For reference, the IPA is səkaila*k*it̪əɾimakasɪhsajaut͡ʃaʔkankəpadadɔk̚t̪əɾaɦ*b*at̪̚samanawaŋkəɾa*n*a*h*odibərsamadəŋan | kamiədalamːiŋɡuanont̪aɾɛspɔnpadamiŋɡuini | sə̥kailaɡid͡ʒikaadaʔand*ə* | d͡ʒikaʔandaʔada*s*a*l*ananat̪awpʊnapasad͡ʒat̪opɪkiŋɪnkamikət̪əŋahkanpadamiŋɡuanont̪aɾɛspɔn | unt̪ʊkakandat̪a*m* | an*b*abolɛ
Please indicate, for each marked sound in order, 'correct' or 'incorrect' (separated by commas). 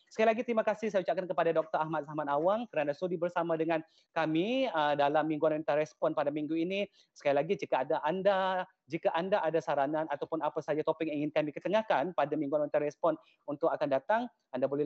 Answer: incorrect, incorrect, correct, incorrect, incorrect, correct, incorrect, incorrect, incorrect